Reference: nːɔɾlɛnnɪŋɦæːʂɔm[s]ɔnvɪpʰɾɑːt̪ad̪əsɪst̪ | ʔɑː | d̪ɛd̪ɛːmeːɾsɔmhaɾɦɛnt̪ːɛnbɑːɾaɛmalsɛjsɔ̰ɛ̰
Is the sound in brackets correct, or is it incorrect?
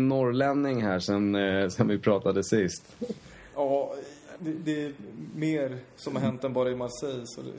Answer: correct